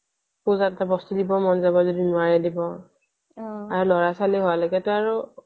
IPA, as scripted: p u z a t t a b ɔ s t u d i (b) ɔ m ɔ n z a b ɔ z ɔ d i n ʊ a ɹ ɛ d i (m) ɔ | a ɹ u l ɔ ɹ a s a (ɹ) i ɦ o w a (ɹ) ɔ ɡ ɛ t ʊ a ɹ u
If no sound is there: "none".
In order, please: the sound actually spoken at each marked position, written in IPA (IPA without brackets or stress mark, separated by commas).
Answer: b, b, l, l